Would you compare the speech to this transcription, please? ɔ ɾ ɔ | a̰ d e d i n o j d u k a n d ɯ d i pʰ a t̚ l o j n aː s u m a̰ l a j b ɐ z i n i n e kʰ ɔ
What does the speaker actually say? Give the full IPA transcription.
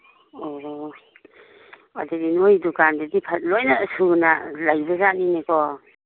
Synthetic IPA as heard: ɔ ɾ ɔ | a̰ d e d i n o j d u k a n d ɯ d i pʰ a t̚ l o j n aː s u n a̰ l a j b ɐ z a n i n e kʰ ɔ